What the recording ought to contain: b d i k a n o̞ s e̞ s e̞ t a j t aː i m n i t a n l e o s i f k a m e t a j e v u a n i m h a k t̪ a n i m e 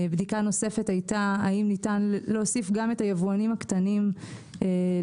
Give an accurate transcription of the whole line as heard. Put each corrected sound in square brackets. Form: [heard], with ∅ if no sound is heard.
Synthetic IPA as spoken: b d i k a n o̞ s e̞ [f] e̞ t a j t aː i m n i t a n l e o s i f [ɡ] a m e t a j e v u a n i m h a k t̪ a n i m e

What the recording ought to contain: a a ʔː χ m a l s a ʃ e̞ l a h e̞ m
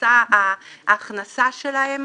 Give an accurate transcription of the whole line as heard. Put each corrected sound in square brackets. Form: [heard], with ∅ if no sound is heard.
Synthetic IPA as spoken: a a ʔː χ [n] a [∅] s a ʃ e̞ l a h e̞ m

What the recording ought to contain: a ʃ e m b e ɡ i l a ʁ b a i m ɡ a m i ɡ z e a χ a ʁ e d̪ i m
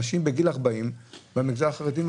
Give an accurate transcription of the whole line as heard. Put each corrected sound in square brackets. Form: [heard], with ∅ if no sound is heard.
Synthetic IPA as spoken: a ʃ [i] m b e ɡ i l a ʁ b a i m [b] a m i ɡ z [a] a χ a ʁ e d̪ i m

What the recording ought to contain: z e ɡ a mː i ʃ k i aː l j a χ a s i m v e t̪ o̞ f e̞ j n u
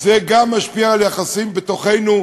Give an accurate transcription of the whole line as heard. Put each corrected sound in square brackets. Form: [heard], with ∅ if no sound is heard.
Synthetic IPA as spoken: z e ɡ a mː [a] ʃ [p] i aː l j a χ a s i m [b] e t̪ o̞ [χ] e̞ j n u

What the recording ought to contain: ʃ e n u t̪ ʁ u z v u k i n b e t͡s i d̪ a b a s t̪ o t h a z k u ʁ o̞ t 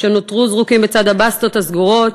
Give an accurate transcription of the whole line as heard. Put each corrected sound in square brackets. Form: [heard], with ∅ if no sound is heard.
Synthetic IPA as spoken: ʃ e n [o] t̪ ʁ u z [ʁ] u k i [m] b e t͡s [a] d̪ a b a s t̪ o t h a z [ɡ] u ʁ o̞ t

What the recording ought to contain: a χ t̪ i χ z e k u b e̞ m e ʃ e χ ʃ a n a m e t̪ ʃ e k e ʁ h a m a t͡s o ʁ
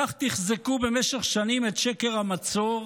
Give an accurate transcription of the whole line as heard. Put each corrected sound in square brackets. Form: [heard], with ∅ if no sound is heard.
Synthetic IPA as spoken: a χ t̪ i χ z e k u b e̞ m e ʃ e χ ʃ a n [i] m e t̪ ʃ e k e ʁ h a m a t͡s o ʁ

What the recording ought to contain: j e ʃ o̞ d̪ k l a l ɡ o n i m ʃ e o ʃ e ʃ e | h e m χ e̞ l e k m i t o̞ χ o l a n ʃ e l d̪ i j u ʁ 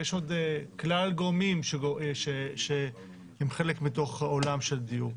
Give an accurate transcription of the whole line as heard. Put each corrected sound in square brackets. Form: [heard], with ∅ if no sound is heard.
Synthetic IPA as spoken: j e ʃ o̞ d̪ k l a l ɡ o [m] i m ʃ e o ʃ e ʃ e | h e m χ e̞ l e k m i t o̞ χ o l a [m] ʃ e l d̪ i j u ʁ

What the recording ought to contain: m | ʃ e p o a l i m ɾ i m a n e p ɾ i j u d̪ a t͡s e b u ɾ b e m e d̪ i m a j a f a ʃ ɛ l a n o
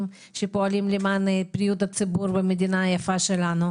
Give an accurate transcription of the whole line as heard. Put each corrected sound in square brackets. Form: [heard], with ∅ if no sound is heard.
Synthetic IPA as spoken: m | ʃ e p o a l i m [l] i m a n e p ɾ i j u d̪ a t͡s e b u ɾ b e m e d̪ i [n] a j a f a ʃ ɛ l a n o

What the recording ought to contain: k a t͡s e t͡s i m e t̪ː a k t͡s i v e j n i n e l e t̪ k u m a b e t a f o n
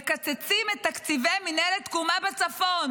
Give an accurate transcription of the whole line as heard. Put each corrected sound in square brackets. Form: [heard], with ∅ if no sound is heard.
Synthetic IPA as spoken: k a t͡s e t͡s i m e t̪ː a k t͡s i v e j [m] i n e l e t̪ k u m a b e [t͡s] a f o n

